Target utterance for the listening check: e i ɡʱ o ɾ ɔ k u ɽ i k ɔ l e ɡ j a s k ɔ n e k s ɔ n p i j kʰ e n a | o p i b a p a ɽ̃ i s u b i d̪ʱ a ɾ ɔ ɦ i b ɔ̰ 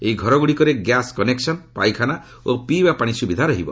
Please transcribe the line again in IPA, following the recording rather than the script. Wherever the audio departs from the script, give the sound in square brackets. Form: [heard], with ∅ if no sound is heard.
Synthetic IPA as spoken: e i ɡʱ [ɔ] ɾ ɔ [ɡ] u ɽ i k ɔ [ɾ] e ɡ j a s k ɔ n e k s ɔ n p [a] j kʰ [a] n a | o p i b a p a ɽ̃ i s u b i d̪ʱ a ɾ ɔ ɦ i b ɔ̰